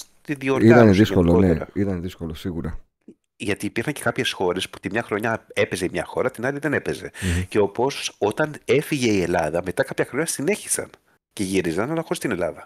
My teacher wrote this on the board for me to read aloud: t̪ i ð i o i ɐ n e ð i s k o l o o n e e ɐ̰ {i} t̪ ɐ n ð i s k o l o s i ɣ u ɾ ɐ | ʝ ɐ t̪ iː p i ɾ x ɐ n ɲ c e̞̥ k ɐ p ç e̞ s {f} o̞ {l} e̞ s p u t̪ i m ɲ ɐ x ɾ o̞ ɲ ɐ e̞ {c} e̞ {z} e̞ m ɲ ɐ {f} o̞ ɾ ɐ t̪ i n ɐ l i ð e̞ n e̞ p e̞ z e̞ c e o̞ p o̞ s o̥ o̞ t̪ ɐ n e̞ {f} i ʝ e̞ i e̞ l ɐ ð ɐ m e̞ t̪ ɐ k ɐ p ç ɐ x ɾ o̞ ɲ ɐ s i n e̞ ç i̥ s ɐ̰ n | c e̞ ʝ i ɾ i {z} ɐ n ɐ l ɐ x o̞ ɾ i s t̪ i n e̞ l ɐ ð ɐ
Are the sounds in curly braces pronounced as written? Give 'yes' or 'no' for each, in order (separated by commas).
yes, no, no, no, yes, no, yes, yes